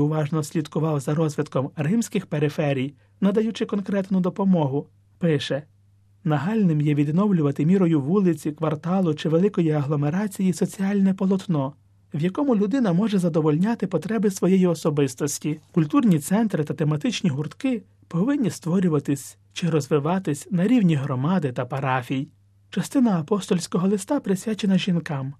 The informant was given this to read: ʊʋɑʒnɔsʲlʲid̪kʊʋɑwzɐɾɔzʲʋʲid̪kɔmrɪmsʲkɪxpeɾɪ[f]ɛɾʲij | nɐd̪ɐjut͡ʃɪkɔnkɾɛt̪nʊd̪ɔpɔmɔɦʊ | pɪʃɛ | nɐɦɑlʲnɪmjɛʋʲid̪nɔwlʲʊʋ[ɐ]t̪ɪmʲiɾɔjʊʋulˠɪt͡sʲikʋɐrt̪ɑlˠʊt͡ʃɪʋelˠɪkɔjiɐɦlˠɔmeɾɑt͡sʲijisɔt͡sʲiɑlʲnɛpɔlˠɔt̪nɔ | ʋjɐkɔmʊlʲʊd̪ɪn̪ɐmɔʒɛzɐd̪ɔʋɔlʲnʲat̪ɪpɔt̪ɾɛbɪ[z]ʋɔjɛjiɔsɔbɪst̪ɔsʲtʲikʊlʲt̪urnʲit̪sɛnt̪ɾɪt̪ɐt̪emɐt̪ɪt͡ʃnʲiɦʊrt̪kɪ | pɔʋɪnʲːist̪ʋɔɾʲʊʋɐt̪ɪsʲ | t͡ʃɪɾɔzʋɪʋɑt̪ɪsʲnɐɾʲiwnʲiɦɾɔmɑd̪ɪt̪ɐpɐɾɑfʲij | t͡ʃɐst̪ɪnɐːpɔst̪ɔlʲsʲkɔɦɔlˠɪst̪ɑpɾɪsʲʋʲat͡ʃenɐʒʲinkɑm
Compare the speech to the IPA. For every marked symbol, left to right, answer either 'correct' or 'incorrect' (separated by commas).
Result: correct, correct, incorrect